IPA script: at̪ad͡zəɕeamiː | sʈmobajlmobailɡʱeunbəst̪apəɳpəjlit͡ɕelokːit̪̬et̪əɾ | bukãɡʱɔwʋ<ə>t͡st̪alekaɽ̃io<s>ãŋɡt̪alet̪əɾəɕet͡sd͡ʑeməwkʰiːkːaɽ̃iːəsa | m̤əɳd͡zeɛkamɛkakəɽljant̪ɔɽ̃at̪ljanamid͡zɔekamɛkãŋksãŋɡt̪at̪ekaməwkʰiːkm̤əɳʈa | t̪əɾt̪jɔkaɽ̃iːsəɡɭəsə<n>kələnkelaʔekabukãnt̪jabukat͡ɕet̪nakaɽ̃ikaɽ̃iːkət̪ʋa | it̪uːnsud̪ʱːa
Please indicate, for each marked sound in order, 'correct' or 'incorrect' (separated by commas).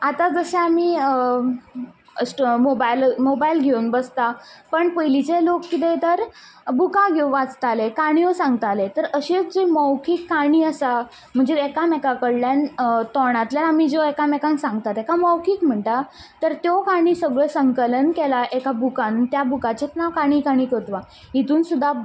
incorrect, correct, incorrect